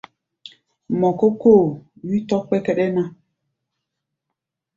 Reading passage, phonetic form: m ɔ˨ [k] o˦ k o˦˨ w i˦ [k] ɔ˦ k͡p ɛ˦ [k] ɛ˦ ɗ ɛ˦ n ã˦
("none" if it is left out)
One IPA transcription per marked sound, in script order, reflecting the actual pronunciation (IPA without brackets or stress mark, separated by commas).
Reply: k, t, k